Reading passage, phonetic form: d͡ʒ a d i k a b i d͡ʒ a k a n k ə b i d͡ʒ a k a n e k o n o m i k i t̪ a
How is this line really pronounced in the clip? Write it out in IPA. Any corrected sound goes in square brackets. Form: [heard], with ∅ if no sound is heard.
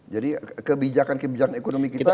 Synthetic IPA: d͡ʒ a d i k [ə] b i d͡ʒ a k a n k ə b i d͡ʒ a k a n e k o n o m i k i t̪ a

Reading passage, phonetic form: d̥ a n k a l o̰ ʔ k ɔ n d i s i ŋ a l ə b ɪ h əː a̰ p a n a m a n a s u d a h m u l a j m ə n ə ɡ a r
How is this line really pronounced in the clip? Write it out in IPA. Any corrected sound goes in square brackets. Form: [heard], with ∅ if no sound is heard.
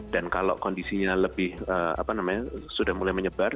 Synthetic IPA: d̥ a n k a l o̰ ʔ k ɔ n d i s i [ɲ] a l ə b ɪ h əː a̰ p a n a m a [ɲ] a s u d a h m u l a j m ə [ɲ] ə [b] a r

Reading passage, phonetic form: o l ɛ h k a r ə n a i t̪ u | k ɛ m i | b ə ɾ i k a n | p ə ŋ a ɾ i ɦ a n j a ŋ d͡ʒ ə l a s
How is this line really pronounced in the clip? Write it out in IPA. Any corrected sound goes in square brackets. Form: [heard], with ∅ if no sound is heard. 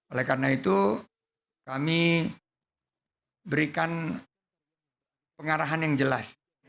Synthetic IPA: o l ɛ h k a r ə n a i t̪ u | k [a] m i | b ə ɾ i k a n | p ə ŋ a ɾ [a] ɦ a n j a ŋ d͡ʒ ə l a s

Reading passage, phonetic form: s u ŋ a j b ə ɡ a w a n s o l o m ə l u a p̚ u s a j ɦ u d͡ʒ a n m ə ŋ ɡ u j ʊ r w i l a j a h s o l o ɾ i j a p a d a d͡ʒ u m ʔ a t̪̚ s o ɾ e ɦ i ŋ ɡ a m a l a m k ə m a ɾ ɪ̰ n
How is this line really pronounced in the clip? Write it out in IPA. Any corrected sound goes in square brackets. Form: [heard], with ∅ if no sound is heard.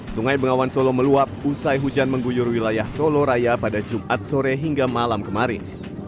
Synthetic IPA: s u ŋ a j b ə [ŋ] a w a n s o l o m ə l u a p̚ u s a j ɦ u d͡ʒ a n m ə ŋ ɡ u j ʊ r w i l a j a h s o l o ɾ [a] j a p a d a d͡ʒ u m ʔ a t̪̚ s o ɾ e ɦ i ŋ ɡ a m a l a m k ə m a ɾ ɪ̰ n

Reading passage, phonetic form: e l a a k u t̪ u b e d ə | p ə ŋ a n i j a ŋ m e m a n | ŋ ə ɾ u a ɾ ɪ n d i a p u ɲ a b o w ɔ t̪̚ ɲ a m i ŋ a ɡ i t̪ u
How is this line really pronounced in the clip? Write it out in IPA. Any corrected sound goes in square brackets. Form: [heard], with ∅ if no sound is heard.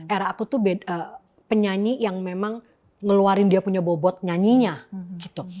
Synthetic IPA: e [ɾ] a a k u t̪ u b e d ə | p ə [ɲ] a [ɲ] i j a ŋ m e m a [ŋ] | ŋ ə [l] u a ɾ ɪ n d i a p u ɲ a b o [b] ɔ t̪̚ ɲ a [ɲ] i [ɲ] a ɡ i t̪ u

